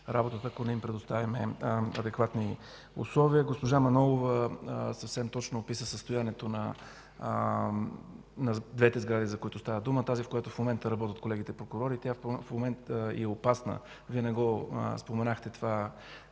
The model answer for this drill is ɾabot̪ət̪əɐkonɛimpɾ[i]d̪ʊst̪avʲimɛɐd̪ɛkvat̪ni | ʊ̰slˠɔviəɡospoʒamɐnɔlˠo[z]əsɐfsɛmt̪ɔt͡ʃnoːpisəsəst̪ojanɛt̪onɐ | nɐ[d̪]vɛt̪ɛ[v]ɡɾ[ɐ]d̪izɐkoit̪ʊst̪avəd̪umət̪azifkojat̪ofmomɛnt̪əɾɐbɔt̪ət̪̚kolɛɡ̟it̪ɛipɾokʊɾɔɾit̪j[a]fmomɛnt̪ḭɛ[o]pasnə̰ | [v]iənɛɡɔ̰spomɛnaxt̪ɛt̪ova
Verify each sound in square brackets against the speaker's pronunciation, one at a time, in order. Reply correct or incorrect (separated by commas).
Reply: incorrect, incorrect, correct, incorrect, incorrect, correct, correct, correct